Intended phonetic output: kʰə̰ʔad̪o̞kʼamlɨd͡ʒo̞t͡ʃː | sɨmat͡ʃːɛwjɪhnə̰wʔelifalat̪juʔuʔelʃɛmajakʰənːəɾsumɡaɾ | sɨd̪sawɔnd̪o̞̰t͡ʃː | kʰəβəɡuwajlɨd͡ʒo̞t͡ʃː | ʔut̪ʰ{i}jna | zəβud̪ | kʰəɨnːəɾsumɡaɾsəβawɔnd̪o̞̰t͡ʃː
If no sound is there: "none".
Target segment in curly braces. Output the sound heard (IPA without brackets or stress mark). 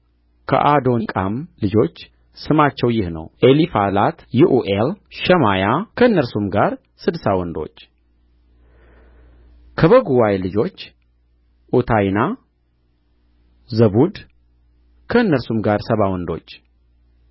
a